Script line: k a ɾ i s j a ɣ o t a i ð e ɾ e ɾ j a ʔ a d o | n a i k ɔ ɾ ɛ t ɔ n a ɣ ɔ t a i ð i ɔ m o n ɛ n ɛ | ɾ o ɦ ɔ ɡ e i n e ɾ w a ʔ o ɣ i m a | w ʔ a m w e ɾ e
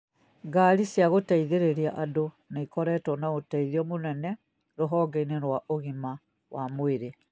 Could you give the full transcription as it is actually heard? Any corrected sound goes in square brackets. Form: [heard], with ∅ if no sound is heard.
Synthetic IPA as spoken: [ɡ] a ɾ i s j a ɣ o t a i ð e ɾ e ɾ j a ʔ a d o | n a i k ɔ ɾ ɛ t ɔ n a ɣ [o] t a i ð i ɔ m o n ɛ n ɛ | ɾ o ɦ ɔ ɡ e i n e ɾ w a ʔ o ɣ i m a | w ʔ a m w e ɾ e